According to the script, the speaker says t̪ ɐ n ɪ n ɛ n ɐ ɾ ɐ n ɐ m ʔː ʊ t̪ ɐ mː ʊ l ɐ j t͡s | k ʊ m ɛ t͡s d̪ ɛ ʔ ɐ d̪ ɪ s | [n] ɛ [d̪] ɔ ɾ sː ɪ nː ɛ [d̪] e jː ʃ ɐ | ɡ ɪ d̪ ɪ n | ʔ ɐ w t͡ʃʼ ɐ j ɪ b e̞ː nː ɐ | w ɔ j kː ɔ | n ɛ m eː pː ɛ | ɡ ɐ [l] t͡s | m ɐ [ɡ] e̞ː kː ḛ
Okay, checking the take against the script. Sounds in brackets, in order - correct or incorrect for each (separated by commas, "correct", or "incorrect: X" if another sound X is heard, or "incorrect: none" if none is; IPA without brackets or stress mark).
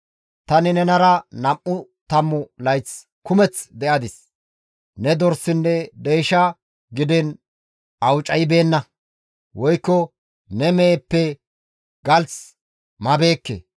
correct, correct, correct, correct, incorrect: b